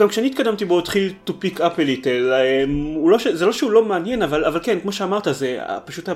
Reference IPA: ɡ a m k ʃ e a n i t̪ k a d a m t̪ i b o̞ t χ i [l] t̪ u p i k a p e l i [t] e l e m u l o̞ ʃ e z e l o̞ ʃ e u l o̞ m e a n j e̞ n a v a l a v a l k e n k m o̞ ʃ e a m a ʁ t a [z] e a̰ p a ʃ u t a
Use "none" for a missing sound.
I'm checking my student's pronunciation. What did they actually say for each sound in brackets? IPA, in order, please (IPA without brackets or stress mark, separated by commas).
l, t, z